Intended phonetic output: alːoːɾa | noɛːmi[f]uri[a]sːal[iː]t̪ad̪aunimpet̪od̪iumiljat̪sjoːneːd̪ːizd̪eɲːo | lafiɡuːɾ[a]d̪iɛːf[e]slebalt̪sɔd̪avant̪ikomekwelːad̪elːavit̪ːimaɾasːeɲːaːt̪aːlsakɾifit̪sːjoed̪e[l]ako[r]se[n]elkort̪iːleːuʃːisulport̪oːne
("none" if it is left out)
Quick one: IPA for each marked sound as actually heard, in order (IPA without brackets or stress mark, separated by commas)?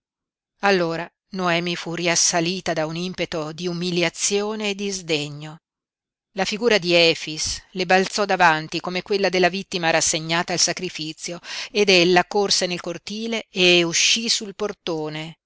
f, a, iː, a, i, lː, r, n